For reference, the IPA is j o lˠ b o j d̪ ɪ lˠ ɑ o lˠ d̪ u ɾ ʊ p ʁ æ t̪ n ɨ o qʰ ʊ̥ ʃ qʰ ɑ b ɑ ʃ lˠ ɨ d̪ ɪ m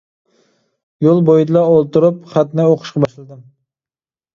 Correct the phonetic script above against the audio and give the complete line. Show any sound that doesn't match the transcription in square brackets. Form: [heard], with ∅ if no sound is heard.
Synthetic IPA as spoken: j o lˠ b o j d̪ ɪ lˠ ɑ o lˠ [t̪] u ɾ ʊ p [χ] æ t̪ n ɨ o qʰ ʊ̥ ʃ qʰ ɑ b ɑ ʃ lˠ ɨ d̪ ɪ m